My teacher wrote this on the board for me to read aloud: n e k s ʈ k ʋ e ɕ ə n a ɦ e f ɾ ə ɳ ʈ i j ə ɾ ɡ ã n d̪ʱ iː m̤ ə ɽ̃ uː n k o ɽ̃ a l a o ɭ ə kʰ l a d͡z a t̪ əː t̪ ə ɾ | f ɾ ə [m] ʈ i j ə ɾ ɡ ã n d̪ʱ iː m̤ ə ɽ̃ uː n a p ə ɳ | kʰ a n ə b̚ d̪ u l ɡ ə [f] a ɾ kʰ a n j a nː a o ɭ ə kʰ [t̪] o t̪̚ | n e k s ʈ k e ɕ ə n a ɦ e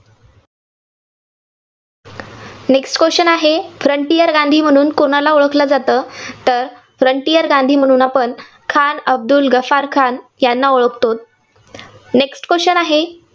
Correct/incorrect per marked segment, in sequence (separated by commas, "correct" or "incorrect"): incorrect, correct, correct